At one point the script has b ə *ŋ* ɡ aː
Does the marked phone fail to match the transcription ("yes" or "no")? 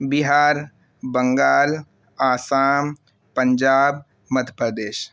no